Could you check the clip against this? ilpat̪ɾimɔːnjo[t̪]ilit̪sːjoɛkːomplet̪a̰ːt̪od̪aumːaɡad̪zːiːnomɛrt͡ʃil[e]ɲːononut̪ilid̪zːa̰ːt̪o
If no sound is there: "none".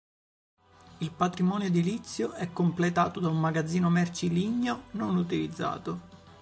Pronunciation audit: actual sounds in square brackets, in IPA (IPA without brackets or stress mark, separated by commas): d̪, i